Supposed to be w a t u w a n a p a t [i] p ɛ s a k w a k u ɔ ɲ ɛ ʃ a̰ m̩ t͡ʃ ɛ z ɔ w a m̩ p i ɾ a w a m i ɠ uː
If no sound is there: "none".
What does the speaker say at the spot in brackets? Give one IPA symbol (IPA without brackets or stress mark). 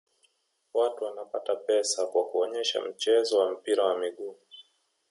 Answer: a